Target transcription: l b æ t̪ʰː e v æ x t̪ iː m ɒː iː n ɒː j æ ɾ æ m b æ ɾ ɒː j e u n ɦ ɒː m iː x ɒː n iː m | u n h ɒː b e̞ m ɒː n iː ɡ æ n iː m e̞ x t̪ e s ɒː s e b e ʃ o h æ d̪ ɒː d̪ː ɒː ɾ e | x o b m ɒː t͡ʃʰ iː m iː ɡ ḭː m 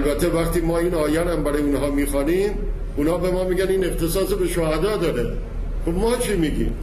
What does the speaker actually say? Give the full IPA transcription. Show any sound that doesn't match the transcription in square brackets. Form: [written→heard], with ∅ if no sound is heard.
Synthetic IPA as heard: l b æ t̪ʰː e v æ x t̪ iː m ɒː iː n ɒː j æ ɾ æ m b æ ɾ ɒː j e u n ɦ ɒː m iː x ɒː n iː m | u n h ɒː b e̞ m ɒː [n→m] iː ɡ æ n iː [m→n] e̞ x t̪ e s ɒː s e b e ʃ o h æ d̪ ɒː [d̪ː→d̪] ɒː ɾ e | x o b m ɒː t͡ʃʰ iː m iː ɡ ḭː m